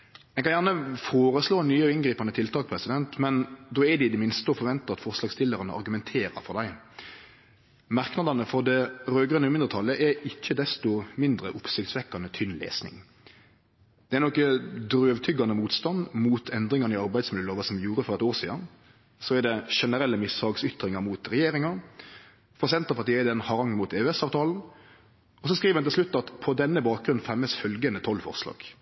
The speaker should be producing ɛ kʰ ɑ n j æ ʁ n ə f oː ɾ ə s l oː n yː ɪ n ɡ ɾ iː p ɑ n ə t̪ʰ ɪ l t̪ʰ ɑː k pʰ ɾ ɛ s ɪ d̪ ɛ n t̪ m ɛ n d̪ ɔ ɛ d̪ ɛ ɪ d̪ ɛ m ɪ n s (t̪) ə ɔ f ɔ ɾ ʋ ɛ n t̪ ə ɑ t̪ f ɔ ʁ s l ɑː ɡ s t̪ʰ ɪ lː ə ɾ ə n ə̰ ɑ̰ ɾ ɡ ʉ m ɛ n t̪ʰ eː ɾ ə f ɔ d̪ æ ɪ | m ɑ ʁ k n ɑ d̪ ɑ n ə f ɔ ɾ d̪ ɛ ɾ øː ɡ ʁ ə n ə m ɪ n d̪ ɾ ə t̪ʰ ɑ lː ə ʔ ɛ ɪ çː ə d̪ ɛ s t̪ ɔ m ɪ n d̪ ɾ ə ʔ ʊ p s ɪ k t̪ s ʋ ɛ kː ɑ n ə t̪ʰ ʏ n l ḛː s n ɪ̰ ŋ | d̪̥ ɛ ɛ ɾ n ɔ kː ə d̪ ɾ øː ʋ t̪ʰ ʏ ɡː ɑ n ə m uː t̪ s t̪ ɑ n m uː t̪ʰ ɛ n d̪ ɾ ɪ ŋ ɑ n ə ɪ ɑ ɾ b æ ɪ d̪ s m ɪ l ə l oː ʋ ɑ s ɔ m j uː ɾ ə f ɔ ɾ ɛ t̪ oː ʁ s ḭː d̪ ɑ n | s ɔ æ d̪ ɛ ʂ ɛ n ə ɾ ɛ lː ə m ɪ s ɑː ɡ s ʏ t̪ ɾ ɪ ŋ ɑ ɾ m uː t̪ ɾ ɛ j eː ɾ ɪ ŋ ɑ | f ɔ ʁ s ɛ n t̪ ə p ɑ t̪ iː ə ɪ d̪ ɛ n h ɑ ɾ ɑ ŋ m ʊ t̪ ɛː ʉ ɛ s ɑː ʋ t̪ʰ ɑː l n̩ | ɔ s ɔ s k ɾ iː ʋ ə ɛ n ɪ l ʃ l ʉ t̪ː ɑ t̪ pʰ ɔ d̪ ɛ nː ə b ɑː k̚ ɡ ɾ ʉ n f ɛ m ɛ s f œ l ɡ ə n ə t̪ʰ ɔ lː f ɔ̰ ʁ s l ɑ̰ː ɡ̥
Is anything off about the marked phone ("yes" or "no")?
no